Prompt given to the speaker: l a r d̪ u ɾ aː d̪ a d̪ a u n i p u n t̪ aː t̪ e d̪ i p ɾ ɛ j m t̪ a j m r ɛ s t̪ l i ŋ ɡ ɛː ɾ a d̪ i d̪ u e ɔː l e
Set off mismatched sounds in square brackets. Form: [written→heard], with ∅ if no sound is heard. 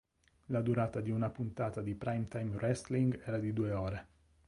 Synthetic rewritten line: l a [r→∅] d̪ u ɾ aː [d̪→t̪] a d̪ [a→i] u n [i→a] p u n t̪ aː t̪ [e→a] d̪ i p ɾ [ɛ→a] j m t̪ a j m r ɛ s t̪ l i ŋ ɡ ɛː ɾ a d̪ i d̪ u e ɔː [l→ɾ] e